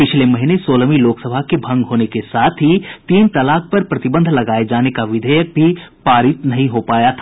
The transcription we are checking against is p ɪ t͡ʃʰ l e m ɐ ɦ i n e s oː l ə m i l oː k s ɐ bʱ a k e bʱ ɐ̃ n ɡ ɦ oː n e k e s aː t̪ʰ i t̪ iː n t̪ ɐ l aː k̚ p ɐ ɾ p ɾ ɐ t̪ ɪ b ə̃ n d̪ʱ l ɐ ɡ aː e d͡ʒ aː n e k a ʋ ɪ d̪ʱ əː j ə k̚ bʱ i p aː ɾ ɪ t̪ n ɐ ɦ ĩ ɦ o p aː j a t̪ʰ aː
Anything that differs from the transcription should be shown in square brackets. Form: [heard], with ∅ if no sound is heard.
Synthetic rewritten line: p ɪ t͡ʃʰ l e m ɐ ɦ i n e s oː l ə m i l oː k s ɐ bʱ a k e bʱ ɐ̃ [ŋ] ɡ ɦ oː n e k e s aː t̪ʰ i t̪ iː n t̪ ɐ l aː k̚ p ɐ ɾ p ɾ ɐ t̪ ɪ b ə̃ n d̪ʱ l ɐ ɡ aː e d͡ʒ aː n e k a ʋ ɪ d̪ʱ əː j ə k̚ bʱ i p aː ɾ ɪ t̪ n ɐ ɦ ĩ ɦ o p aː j a t̪ʰ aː